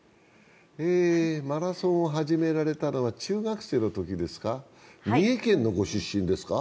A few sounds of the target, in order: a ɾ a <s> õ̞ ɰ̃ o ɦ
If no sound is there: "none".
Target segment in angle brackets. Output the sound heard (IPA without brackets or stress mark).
s